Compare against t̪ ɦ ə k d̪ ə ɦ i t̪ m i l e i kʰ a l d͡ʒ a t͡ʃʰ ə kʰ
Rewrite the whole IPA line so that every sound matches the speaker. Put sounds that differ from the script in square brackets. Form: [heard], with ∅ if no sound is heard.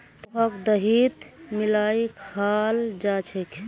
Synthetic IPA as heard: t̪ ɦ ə k d̪ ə ɦ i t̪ m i l [a] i kʰ a l d͡ʒ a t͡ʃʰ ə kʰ